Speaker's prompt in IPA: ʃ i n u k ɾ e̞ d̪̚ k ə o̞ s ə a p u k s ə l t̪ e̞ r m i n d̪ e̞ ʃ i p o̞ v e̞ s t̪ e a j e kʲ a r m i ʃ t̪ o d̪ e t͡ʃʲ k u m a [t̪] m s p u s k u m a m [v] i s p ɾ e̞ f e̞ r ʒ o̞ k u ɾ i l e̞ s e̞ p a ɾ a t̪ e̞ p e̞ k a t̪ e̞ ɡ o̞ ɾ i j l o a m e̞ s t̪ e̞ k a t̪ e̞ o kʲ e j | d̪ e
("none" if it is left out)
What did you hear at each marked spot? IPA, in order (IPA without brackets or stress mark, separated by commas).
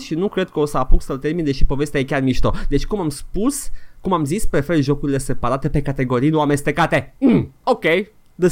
none, z